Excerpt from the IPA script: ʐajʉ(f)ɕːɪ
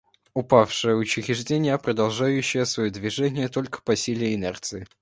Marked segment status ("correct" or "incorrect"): incorrect